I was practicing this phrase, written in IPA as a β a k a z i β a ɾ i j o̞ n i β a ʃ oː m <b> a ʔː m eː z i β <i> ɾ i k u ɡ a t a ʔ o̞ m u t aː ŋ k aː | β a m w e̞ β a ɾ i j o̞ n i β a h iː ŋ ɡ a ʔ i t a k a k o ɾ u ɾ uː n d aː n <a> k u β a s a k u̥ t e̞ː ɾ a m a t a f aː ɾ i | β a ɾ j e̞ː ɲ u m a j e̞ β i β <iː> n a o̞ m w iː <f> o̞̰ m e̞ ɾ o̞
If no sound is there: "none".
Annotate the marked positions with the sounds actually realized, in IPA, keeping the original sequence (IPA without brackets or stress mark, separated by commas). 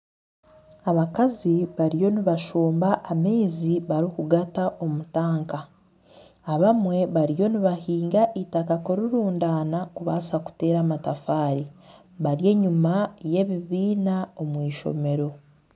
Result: b, a, a, iː, ʃ